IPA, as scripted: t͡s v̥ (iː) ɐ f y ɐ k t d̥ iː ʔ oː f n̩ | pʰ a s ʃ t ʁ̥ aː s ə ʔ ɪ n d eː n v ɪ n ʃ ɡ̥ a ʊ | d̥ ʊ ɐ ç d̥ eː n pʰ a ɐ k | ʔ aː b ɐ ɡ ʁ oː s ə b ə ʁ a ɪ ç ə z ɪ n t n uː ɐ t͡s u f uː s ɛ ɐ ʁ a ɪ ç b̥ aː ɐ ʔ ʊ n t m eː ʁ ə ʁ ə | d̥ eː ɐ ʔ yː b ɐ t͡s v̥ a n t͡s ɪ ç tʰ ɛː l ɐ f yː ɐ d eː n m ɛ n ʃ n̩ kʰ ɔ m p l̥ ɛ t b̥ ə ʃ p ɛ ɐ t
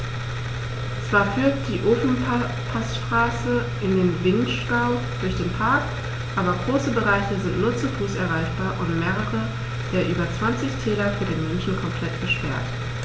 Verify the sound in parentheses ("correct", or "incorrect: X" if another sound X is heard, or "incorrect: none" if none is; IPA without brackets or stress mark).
incorrect: aː